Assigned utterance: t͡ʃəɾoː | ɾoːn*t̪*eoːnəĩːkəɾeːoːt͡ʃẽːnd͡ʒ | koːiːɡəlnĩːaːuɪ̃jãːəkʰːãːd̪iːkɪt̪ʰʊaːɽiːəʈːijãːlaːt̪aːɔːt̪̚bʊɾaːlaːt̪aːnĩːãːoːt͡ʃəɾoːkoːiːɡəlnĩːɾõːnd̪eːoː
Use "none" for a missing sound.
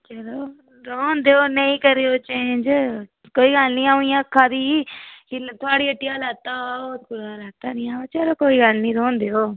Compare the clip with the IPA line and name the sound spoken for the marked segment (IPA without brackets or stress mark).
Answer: d̪